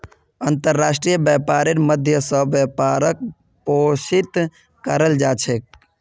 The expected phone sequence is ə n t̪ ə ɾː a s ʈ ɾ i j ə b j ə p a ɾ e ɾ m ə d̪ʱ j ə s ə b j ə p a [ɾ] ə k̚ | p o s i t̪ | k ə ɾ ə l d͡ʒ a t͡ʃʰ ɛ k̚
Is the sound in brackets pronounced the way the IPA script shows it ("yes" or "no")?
yes